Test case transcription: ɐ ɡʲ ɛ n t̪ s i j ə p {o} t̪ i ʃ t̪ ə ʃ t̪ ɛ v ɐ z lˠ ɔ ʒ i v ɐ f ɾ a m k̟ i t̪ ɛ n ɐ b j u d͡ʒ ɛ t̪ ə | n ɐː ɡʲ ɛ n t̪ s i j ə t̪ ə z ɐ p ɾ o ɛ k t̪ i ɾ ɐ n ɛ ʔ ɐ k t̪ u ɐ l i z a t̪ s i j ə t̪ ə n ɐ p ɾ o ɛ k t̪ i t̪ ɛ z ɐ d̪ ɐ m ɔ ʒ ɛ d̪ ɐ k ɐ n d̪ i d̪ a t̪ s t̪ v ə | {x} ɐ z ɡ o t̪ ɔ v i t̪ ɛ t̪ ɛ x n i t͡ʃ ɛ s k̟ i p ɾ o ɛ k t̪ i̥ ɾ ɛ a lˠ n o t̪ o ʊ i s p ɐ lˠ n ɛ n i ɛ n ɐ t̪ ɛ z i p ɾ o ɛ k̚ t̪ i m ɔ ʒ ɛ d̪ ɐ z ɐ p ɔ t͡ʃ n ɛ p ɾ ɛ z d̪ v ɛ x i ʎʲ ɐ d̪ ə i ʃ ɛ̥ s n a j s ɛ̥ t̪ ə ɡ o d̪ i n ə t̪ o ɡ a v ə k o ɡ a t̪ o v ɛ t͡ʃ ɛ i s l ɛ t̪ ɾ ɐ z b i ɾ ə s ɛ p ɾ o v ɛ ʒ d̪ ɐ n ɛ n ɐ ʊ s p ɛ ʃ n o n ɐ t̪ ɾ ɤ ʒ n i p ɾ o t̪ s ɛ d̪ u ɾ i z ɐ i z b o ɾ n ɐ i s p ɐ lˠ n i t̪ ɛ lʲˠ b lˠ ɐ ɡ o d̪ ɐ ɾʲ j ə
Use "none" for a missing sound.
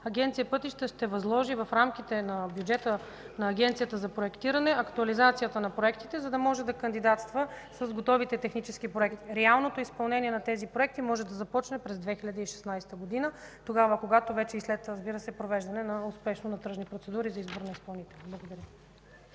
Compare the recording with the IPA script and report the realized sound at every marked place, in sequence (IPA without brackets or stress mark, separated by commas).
ɤ, s